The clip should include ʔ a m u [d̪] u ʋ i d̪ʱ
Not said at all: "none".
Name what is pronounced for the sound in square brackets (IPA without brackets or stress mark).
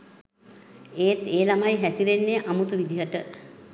t̪